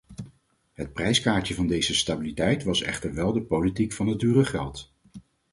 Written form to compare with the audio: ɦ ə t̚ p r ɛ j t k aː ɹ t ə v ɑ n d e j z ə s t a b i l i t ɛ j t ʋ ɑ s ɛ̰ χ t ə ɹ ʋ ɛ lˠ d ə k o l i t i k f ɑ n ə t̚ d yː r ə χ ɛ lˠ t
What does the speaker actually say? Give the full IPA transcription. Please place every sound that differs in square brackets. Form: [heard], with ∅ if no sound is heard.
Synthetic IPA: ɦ ə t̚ p r ɛ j [s] k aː ɹ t ə v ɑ n d e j z ə s t a b i l i t ɛ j t ʋ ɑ s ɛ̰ χ t ə ɹ ʋ ɛ lˠ d ə [p] o l i t i k f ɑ n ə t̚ d yː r ə χ ɛ lˠ t